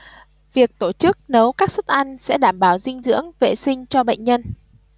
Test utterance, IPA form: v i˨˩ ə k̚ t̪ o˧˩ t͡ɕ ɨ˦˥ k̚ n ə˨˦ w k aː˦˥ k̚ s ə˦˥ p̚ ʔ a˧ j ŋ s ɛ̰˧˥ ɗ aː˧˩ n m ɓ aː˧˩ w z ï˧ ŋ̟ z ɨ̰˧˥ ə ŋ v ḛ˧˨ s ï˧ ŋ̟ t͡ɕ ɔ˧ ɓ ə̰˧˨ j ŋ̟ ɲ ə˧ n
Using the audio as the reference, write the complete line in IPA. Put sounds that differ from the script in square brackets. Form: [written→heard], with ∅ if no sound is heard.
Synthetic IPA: v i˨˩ ə k̚ t̪ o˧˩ t͡ɕ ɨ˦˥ k̚ n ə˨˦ w k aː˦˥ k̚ s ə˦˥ [p̚→t̚] ʔ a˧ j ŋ s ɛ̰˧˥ ɗ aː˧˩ [n→∅] m ɓ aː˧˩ w z ï˧ ŋ̟ z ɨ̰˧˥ ə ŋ v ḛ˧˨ s ï˧ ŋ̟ t͡ɕ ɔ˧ ɓ ə̰˧˨ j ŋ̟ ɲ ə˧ n